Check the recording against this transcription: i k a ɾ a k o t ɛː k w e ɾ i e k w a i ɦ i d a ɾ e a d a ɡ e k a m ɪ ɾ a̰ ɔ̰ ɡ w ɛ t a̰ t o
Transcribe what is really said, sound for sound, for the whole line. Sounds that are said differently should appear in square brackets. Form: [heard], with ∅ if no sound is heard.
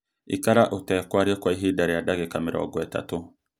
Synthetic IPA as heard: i k a ɾ a [ʔ] o t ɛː k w [a] ɾ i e k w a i ɦ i d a ɾ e a d a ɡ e k a m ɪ ɾ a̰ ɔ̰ ɡ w ɛ t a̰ t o